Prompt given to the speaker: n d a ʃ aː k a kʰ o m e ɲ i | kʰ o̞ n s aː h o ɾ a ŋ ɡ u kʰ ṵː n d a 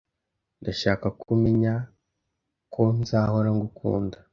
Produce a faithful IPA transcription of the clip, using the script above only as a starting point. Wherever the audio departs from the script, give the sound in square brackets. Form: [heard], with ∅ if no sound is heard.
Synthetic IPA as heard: n d a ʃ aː k a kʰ [u] m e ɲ [a] | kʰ o̞ n [z] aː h o ɾ a ŋ ɡ u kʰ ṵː n d a